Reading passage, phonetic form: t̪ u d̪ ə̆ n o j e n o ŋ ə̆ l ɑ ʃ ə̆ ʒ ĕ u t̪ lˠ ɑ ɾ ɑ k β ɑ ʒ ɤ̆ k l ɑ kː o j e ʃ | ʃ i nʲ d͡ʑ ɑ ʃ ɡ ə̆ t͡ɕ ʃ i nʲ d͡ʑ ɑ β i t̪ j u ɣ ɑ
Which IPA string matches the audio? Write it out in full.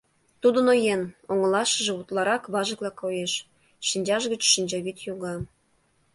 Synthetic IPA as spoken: t̪ u d̪ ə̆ n o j e n o ŋ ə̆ l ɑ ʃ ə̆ ʒ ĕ u t̪ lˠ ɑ ɾ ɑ k β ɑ ʒ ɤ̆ k l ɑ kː o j e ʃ | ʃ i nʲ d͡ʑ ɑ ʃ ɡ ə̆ t͡ɕ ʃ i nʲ d͡ʑ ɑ β i t̪ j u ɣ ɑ